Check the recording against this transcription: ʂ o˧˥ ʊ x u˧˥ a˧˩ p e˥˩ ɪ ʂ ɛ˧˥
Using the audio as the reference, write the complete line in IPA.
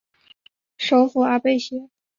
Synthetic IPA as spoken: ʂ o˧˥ ʊ f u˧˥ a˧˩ p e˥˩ ɪ ɕ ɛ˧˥